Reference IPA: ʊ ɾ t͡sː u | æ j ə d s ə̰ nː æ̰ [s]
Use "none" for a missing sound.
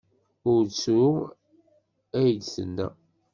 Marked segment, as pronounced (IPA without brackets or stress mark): none